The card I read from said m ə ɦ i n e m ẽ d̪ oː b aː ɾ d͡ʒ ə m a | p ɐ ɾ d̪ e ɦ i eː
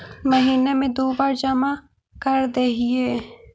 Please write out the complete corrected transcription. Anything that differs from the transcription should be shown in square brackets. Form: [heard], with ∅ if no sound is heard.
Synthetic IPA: m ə ɦ [iː] n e m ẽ d̪ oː b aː ɾ d͡ʒ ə m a | [k] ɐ ɾ d̪ e ɦ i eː